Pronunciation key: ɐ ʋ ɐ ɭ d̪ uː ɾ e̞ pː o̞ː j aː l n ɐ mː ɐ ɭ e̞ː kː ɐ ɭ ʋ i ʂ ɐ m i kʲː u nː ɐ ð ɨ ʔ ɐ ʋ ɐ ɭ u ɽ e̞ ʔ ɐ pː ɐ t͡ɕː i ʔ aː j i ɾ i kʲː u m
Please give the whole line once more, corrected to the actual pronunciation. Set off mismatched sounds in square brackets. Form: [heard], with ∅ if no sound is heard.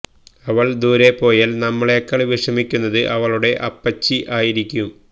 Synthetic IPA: ɐ ʋ ɐ ɭ d̪ uː ɾ e̞ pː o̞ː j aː l n ɐ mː ɐ ɭ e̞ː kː ɐ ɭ ʋ i ʂ ɐ m i kʲː u nː ɐ ð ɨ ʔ ɐ ʋ ɐ ɭ u ɽ e̞ ʔ ɐ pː ɐ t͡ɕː i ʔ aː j i ɾ i kʲː u m